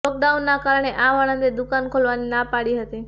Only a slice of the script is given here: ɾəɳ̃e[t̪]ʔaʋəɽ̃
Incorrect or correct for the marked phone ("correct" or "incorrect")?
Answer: incorrect